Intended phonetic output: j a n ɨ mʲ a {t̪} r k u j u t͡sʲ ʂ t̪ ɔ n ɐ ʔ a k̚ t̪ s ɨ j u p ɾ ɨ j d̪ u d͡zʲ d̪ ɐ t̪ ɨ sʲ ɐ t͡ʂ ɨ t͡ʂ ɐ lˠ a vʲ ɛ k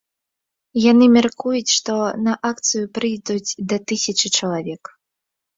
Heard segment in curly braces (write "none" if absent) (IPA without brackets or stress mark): none